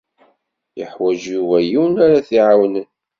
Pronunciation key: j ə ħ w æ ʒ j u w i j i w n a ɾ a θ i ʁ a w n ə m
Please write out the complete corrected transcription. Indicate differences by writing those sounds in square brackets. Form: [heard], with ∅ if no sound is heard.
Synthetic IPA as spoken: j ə ħ w æ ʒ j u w [æ] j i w n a ɾ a θ i [ʕ] a w n ə [n]